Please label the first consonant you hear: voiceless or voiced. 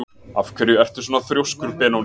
voiceless